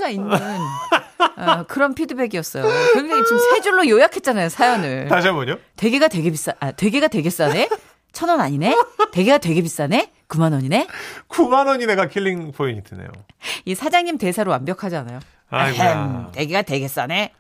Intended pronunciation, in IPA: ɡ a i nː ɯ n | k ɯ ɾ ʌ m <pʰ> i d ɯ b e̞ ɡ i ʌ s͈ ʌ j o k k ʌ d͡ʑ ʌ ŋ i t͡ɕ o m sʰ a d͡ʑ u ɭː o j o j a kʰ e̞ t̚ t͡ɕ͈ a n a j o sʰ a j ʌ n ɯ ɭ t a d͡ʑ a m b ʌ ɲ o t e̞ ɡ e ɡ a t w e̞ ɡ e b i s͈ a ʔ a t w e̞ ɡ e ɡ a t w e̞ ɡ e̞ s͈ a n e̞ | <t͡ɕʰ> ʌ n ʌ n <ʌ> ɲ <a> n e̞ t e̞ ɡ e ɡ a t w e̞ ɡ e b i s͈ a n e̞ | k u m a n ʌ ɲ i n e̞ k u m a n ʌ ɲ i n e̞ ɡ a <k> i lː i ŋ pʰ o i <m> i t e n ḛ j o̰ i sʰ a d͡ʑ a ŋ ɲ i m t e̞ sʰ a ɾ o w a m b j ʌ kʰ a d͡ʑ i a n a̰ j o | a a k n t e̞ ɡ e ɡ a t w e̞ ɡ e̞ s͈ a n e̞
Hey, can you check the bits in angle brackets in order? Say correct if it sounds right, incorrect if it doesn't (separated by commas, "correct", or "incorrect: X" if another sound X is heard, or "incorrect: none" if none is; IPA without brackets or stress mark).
correct, correct, incorrect: a, incorrect: i, incorrect: kʰ, incorrect: ɲ